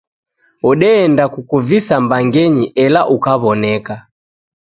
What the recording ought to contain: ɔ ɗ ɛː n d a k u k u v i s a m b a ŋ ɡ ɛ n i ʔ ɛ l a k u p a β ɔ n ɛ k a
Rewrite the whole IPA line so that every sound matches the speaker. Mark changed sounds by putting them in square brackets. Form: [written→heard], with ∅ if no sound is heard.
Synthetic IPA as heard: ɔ ɗ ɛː n d a k u k u v i s a m b a ŋ ɡ ɛ [n→ɲ] i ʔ ɛ l a [k→ʔ] u [p→k] a β ɔ n ɛ k a